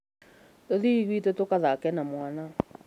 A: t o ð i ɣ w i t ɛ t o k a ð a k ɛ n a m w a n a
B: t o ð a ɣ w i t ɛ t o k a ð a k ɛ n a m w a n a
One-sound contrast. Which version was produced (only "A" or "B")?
A